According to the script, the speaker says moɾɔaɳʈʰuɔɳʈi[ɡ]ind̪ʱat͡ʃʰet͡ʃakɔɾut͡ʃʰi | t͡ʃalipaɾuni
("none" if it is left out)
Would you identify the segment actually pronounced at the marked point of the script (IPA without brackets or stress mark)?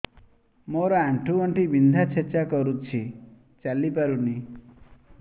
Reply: b